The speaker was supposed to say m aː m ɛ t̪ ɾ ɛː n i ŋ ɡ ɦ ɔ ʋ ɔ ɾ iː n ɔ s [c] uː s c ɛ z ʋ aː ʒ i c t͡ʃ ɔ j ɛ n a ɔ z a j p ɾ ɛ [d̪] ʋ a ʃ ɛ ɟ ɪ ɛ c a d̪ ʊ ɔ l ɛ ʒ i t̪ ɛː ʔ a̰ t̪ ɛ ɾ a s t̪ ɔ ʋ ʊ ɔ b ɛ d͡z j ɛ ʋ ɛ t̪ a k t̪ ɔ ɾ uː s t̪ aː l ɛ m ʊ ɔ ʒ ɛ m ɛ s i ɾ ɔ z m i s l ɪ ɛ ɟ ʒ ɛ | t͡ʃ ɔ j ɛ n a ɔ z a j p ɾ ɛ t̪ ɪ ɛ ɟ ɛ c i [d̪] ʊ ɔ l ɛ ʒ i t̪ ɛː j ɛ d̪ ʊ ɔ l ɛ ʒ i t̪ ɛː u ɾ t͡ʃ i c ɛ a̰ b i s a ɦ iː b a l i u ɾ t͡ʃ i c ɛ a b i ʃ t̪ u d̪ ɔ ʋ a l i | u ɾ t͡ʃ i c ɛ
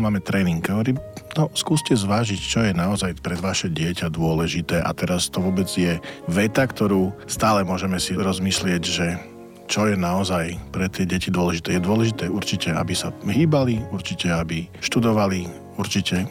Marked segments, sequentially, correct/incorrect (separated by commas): incorrect, correct, correct